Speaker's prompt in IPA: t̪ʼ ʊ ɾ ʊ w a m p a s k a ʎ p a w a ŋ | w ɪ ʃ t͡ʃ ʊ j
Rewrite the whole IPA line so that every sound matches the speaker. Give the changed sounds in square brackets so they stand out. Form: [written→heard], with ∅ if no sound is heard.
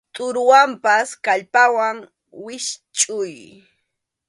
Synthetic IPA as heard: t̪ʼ ʊ ɾ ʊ w a m p a s k a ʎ p a w a ŋ | w ɪ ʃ [t͡ʃ→t͡ʃʼ] ʊ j